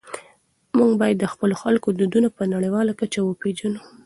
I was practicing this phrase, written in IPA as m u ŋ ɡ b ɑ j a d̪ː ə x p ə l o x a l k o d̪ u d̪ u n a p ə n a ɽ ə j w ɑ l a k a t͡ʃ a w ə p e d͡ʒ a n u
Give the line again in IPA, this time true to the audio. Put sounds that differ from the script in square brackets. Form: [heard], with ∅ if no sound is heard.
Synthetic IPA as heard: m u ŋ ɡ b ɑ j a d̪ː ə x p ə l o x a l k o d̪ u d̪ u n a p ə n a ɽ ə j w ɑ l a k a t͡ʃ a w ə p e d͡ʒ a n u